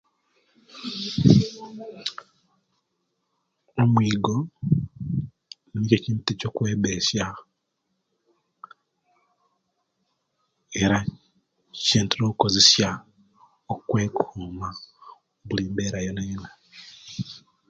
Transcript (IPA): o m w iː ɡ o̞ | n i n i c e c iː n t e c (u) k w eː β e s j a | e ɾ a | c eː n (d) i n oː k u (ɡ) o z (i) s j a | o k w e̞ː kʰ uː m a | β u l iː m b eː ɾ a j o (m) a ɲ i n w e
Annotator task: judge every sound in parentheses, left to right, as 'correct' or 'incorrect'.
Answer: incorrect, incorrect, incorrect, incorrect, incorrect

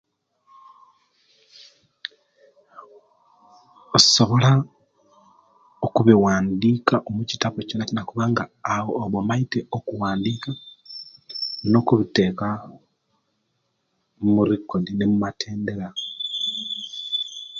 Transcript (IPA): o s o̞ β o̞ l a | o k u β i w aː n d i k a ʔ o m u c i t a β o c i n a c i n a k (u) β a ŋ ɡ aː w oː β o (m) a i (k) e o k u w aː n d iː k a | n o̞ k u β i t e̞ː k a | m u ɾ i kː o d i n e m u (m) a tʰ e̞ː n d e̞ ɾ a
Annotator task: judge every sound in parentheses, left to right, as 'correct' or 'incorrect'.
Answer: correct, correct, incorrect, correct

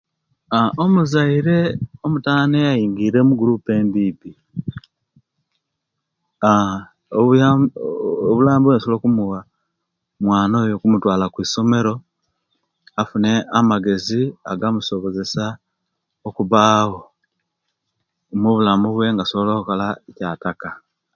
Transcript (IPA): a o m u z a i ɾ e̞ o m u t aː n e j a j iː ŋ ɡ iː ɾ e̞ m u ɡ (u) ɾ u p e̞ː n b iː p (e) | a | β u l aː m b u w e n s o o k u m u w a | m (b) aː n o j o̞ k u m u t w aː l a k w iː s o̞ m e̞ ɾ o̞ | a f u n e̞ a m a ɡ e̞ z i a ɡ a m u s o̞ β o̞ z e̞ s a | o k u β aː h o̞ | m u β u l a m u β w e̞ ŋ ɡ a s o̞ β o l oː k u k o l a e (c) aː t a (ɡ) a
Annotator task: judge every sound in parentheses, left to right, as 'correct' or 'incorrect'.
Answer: correct, incorrect, incorrect, correct, incorrect

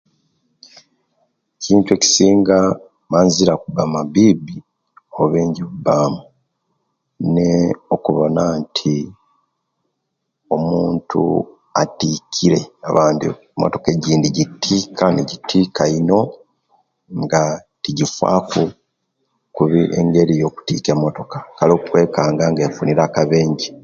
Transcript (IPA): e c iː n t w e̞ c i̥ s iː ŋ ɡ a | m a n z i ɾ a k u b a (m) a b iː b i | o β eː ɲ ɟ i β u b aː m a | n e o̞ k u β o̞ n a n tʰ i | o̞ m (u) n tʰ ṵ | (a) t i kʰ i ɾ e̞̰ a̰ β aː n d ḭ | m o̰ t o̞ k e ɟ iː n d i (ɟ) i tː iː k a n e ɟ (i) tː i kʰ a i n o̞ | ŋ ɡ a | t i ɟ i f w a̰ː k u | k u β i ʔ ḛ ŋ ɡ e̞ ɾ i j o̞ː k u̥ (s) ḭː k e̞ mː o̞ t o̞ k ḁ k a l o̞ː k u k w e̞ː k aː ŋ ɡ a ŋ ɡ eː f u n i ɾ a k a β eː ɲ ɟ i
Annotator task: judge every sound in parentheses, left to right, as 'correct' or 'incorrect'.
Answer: correct, incorrect, correct, correct, correct, incorrect

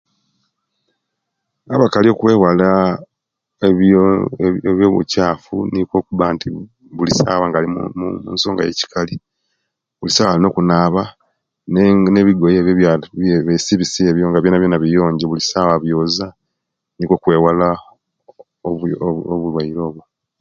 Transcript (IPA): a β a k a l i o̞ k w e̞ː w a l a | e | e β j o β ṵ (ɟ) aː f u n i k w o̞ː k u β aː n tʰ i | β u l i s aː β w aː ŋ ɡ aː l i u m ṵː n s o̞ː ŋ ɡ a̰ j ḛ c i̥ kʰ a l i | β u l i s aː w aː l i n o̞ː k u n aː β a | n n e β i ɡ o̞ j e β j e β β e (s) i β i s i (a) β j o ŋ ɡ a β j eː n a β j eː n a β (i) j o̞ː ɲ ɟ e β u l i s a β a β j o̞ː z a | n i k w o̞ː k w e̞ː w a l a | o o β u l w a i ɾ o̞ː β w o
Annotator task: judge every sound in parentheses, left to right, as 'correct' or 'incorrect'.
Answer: incorrect, correct, incorrect, correct

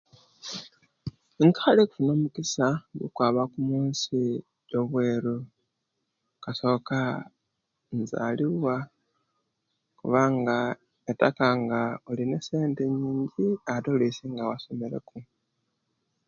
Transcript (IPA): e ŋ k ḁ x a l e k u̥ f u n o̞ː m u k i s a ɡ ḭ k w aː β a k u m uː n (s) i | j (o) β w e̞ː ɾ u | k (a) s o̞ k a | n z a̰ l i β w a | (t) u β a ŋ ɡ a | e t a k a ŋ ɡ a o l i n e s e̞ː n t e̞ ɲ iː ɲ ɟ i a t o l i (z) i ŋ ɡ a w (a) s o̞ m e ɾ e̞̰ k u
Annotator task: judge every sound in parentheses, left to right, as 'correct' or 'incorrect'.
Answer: correct, correct, correct, incorrect, incorrect, correct

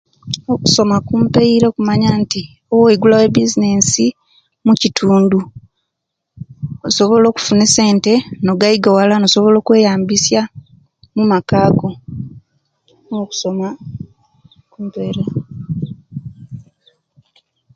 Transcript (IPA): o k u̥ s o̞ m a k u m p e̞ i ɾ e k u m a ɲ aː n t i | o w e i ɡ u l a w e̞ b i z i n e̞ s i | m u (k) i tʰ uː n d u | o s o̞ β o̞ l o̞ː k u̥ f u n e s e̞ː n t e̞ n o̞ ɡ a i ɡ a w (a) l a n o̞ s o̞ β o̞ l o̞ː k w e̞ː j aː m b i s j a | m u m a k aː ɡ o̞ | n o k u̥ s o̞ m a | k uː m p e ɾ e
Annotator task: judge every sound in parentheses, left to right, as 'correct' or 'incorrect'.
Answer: incorrect, correct

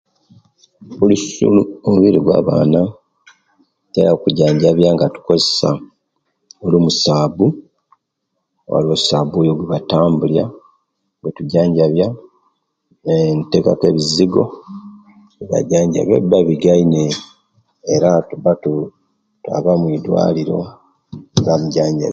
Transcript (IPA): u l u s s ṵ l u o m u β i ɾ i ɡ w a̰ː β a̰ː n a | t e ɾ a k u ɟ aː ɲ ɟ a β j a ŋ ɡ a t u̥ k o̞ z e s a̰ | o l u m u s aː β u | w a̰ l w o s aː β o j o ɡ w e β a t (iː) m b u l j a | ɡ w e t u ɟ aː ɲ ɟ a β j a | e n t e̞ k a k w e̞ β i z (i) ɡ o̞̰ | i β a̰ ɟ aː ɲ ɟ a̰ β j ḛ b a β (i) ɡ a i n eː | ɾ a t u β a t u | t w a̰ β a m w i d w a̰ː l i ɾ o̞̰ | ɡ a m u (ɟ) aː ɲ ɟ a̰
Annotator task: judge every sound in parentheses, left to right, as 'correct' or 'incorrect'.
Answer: incorrect, correct, correct, correct

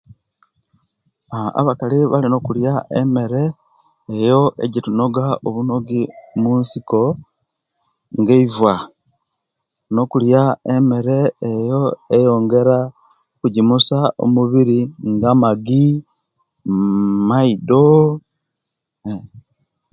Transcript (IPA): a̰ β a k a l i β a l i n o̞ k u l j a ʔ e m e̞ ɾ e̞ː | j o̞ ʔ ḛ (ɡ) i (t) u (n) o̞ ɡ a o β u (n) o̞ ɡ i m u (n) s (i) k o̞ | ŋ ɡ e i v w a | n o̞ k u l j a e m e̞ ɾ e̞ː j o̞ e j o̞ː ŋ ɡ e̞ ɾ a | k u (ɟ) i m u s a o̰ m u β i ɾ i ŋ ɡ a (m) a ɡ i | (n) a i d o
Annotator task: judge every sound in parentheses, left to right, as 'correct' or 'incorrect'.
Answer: incorrect, correct, correct, correct, correct, correct, correct, correct, incorrect

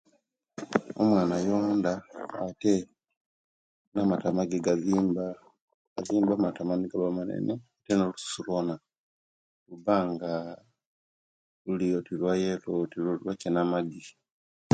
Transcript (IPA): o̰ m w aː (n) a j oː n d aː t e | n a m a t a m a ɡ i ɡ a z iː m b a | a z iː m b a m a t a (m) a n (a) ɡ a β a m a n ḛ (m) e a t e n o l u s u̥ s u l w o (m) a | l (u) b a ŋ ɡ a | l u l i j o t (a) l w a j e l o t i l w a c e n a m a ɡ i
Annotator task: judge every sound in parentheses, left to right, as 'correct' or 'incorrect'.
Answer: correct, correct, incorrect, incorrect, incorrect, correct, incorrect

